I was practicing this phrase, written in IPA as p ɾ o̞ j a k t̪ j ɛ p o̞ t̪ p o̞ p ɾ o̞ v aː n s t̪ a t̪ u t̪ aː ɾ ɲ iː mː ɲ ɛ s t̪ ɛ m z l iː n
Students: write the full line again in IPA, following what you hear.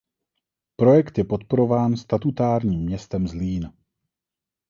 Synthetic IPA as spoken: p ɾ o̞ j ɛ k t̪ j ɛ p o̞ t̪ p o̞ ɾ o̞ v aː n s t̪ a t̪ u t̪ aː ɾ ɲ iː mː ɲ ɛ s t̪ ɛ m z l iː n